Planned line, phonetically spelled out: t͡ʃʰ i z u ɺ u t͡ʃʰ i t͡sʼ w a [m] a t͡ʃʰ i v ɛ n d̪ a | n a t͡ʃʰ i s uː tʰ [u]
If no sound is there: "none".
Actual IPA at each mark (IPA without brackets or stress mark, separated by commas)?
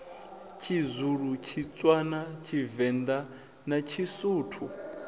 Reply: n, u